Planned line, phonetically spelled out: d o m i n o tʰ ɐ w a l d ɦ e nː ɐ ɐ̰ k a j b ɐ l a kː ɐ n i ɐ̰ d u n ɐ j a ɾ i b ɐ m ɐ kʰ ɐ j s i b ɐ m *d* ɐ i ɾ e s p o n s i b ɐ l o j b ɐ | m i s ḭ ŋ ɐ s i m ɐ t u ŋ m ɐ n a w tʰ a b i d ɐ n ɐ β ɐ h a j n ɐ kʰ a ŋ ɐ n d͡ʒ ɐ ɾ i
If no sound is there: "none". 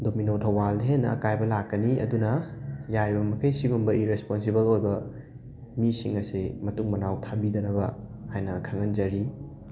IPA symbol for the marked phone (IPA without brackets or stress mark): b